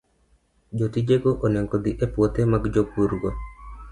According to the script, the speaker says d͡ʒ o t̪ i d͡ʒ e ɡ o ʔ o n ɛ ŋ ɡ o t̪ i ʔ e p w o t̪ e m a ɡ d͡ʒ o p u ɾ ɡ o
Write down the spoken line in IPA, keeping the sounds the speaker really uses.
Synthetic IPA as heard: d͡ʒ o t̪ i d͡ʒ e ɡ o ʔ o n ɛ ŋ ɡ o d̪ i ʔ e p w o t̪ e m a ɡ d͡ʒ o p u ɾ ɡ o